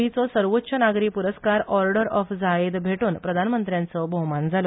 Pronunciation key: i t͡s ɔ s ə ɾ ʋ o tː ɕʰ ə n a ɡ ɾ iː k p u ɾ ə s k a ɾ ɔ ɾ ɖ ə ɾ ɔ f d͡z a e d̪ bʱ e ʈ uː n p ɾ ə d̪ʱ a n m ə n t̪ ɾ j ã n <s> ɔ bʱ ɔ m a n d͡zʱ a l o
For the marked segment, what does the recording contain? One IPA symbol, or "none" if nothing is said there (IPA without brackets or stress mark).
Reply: t͡s